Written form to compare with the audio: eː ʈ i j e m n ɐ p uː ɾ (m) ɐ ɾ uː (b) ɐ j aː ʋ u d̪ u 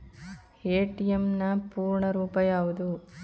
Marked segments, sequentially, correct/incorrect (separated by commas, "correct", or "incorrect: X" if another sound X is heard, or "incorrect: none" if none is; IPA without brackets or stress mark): incorrect: ɳ, incorrect: p